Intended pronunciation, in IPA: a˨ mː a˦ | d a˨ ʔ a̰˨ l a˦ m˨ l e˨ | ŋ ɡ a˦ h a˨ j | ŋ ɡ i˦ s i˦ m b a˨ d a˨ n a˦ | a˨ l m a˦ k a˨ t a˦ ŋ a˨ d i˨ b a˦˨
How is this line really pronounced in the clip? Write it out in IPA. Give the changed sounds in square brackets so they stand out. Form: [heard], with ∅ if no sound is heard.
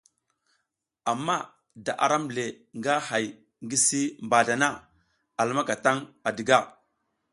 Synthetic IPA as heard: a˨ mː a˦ | d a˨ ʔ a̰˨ [ɾ] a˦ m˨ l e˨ | ŋ ɡ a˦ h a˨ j | ŋ ɡ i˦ s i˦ m b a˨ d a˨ n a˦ | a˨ l m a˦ k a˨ t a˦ ŋ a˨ d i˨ [ɡ] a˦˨